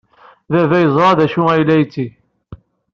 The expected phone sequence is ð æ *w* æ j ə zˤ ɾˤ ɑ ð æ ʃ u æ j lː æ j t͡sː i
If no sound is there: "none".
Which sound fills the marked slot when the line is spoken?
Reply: v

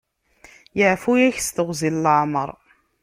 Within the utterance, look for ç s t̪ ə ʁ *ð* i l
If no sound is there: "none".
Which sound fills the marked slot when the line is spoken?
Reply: z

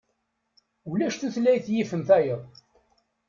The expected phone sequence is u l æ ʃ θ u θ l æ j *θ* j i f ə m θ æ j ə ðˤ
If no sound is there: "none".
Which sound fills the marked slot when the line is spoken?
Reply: θ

